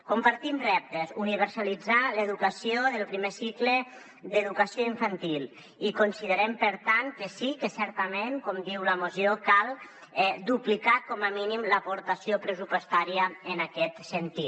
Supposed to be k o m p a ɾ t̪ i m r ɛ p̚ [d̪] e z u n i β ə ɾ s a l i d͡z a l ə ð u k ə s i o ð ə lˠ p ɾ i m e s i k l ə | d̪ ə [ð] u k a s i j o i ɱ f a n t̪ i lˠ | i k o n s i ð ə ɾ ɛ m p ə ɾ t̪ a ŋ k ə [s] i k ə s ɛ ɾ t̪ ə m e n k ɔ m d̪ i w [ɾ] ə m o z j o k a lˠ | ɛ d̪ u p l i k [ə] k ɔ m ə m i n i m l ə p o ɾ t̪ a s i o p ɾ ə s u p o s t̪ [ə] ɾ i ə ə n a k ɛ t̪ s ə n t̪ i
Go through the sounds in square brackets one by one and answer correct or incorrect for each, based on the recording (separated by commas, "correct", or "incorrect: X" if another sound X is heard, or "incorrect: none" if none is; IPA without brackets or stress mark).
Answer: incorrect: t̪, correct, correct, incorrect: l, incorrect: a, incorrect: a